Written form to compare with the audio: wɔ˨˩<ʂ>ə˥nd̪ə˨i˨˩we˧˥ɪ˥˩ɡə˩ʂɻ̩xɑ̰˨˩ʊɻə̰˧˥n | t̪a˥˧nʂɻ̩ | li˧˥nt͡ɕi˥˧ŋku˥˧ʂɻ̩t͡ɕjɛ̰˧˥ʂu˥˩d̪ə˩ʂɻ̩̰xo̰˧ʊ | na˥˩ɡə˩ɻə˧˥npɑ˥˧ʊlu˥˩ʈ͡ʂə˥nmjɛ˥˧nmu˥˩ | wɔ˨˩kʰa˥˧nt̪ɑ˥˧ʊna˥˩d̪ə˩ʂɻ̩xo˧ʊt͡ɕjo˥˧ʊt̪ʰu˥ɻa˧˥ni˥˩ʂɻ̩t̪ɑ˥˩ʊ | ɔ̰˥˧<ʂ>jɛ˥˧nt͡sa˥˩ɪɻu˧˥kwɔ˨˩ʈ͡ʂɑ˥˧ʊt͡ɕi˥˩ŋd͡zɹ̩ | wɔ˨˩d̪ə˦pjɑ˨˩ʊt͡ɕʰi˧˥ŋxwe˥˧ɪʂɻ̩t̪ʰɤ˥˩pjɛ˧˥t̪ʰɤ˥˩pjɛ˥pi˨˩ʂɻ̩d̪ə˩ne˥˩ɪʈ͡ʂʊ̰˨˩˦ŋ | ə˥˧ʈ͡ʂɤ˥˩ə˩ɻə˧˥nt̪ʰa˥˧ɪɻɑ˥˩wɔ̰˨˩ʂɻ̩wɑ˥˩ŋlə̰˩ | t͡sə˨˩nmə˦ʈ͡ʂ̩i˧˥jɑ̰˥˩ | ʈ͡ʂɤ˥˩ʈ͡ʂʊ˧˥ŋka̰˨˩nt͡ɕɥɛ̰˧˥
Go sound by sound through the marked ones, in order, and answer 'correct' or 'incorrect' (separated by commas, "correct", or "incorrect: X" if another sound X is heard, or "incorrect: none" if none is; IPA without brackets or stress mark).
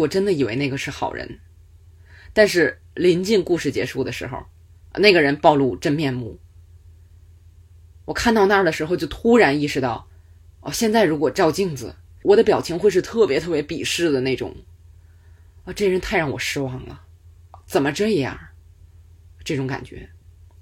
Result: incorrect: ʈ͡ʂ, incorrect: ɕ